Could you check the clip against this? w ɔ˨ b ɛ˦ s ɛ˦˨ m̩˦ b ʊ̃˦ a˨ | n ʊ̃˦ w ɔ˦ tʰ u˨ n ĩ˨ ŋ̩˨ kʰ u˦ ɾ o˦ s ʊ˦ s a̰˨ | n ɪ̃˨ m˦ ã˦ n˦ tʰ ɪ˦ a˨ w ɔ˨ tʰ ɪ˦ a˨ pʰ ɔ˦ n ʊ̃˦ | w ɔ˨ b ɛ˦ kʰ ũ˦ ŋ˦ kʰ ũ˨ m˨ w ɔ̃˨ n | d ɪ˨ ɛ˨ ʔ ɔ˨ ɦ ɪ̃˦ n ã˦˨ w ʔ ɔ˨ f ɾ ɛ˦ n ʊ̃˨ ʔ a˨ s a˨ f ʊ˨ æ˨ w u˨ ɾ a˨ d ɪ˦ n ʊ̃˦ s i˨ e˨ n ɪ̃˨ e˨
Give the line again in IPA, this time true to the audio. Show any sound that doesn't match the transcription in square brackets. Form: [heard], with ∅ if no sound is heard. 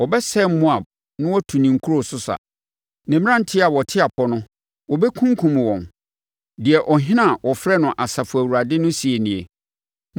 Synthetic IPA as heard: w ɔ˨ b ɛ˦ s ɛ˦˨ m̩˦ [m] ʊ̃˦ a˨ | n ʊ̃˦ w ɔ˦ tʰ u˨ n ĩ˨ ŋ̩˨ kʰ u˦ ɾ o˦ s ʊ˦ s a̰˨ | n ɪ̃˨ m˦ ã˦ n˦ tʰ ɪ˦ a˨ w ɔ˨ tʰ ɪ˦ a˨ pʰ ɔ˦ n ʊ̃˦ | w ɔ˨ b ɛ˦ kʰ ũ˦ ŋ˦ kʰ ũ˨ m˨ w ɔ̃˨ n | d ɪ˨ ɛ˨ ʔ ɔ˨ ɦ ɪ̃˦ n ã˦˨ w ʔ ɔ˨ f ɾ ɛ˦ n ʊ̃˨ ʔ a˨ s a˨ f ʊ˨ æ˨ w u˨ ɾ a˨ d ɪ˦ n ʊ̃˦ s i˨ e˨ n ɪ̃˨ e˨